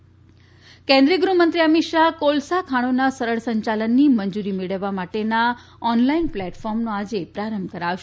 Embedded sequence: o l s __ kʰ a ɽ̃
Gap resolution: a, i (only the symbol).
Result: a